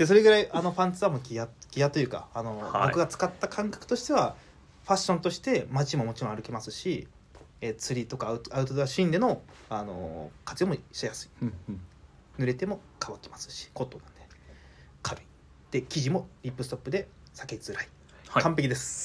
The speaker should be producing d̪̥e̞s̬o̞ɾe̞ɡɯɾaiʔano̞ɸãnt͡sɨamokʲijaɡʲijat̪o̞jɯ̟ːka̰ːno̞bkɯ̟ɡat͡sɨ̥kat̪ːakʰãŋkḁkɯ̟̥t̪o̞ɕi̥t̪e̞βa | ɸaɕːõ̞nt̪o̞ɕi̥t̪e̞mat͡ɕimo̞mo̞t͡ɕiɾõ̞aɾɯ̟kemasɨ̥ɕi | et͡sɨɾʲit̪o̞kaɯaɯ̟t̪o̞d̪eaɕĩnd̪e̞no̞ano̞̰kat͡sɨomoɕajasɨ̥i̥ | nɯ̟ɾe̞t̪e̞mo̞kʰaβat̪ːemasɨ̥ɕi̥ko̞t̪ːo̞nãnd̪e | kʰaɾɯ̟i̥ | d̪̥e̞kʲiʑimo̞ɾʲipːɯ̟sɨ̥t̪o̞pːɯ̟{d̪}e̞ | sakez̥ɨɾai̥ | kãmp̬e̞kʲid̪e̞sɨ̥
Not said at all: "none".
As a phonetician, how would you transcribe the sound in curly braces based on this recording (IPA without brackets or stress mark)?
d̪